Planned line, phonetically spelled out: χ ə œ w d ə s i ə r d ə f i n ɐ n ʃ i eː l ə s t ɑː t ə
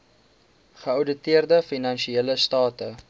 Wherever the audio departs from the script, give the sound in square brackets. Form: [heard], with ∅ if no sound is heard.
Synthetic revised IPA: χ ə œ w d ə [t] i ə r d ə f i n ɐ n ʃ i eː l ə s t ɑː t ə